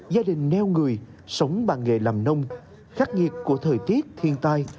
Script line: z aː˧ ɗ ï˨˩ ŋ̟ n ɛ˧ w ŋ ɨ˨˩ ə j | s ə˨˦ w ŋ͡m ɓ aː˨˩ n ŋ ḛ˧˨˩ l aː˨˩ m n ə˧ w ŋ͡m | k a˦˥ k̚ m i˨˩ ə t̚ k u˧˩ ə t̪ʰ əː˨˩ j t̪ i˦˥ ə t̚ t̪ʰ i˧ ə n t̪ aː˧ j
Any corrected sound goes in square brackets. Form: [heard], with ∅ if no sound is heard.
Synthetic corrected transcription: z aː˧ ɗ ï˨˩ ŋ̟ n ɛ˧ w ŋ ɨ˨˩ ə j | s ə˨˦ w ŋ͡m ɓ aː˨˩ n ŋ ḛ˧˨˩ l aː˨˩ m n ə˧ w ŋ͡m | [x] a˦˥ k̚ [ŋ] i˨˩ ə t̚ k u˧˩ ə t̪ʰ əː˨˩ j t̪ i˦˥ ə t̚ t̪ʰ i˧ ə n t̪ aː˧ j